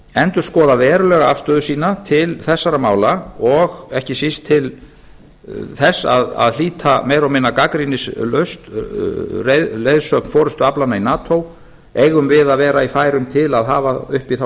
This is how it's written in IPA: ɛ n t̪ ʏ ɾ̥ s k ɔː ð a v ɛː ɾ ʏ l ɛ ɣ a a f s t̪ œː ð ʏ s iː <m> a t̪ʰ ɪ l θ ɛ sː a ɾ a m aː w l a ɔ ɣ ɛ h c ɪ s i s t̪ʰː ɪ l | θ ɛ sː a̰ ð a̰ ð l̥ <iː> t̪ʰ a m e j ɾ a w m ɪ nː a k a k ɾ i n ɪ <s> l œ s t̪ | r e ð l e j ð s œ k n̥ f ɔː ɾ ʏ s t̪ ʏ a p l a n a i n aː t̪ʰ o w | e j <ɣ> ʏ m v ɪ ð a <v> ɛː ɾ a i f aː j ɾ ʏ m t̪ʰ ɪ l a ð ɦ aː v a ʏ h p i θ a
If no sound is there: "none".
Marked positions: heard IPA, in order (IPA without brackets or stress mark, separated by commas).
n, iː, s, ɣ, v